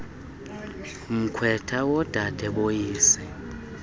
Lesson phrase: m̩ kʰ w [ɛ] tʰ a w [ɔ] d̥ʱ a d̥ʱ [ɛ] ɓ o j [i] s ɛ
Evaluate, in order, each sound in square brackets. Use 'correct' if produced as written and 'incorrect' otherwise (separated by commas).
correct, correct, correct, incorrect